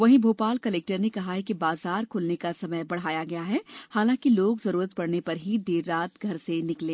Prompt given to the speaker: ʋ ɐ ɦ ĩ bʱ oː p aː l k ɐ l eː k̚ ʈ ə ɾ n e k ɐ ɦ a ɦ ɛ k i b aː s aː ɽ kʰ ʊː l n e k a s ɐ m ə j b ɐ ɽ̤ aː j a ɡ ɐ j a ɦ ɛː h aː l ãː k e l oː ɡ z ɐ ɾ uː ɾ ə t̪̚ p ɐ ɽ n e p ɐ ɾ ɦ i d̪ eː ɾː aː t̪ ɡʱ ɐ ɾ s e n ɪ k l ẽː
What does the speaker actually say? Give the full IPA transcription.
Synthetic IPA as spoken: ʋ ɐ ɦ ĩ bʱ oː p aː l k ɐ l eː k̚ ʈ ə ɾ n e k ɐ ɦ a ɦ ɛ k i b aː z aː ɾ kʰ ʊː l n e k a s ɐ m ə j b ɐ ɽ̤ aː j a ɡ ɐ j a ɦ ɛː h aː l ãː k i l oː ɡ z ɐ ɾ uː ɾ ə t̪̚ p ɐ ɽ n e p ɐ ɾ ɦ i d̪ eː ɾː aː t̪ ɡʱ ɐ ɾ s e n ɪ k l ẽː

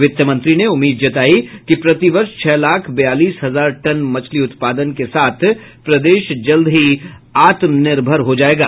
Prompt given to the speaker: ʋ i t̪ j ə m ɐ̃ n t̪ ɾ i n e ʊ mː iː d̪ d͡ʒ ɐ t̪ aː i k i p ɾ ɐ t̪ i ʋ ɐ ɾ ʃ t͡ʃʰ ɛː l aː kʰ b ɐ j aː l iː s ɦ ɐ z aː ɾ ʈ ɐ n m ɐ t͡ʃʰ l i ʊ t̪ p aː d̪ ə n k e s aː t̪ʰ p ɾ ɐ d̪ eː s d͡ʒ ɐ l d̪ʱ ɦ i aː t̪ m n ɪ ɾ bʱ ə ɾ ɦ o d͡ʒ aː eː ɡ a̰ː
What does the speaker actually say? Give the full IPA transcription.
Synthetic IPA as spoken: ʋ ɪ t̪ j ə m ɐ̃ n t̪ ɾ i n e ʊ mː iː d̪ d͡ʒ ɐ t̪ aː i k i p ɾ ɐ t̪ i ʋ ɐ ɾ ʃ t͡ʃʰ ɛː l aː kʰ b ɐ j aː l iː s ɦ ɐ z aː ɾ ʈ ɐ n m ɐ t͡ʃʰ l i ʊ t̪ p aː d̪ ə n k e s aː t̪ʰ p ɾ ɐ d̪ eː ʃ d͡ʒ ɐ l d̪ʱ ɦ i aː t̪ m n ɪ ɾ bʱ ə ɾ ɦ o d͡ʒ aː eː ɡ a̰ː

